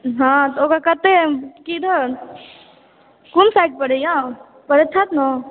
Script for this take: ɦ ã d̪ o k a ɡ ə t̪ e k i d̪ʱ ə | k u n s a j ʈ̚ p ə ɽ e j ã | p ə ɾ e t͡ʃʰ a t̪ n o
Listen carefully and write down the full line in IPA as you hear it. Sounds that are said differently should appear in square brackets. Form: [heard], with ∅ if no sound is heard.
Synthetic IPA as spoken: ɦ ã [t̪] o k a [k] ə t̪ e k i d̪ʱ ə | k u n s a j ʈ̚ p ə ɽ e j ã | p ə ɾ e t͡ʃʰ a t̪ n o